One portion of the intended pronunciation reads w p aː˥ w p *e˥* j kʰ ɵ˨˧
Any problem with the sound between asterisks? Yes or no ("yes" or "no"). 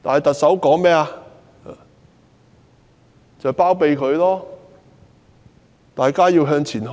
yes